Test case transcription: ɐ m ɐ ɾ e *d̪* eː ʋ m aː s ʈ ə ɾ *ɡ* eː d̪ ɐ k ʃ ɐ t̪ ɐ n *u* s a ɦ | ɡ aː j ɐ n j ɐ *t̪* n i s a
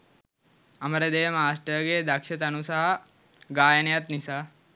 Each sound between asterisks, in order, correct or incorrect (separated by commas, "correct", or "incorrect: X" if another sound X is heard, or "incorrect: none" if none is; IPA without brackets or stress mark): correct, correct, correct, correct